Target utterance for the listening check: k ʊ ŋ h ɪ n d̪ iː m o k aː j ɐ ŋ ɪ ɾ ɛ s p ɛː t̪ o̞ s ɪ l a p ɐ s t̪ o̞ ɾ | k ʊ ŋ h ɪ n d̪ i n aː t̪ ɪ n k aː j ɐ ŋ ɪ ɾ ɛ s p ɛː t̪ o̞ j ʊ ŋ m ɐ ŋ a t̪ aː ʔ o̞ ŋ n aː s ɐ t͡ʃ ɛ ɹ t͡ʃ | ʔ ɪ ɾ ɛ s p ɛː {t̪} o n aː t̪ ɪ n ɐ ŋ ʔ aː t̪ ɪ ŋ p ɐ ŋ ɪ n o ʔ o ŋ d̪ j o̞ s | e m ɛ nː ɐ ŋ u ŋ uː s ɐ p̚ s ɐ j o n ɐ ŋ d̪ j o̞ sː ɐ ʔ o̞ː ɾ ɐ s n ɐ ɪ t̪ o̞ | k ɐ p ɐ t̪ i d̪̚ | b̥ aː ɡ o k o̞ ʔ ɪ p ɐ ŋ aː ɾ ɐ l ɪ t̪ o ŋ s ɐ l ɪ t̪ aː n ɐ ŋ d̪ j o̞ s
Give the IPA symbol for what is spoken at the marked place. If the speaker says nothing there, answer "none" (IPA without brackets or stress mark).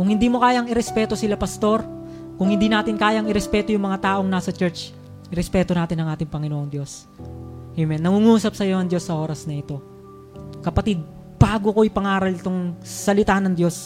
t̪